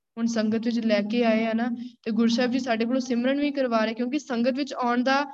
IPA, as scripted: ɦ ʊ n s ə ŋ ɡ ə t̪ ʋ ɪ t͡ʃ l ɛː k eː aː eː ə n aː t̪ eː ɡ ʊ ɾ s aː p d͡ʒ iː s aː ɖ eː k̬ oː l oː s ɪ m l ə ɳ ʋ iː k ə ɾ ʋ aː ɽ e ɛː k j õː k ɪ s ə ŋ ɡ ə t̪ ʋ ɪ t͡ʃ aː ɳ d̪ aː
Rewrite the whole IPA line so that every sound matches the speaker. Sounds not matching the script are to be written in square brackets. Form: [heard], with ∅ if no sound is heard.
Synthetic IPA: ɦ ʊ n s ə ŋ ɡ ə t̪ ʋ ɪ t͡ʃ l ɛː k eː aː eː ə n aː t̪ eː ɡ ʊ ɾ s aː [b] d͡ʒ iː s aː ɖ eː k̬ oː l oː s ɪ m [ɾ] ə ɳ ʋ iː k ə ɾ ʋ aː [ɾ] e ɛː k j õː k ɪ s ə ŋ ɡ ə t̪ ʋ ɪ t͡ʃ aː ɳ d̪ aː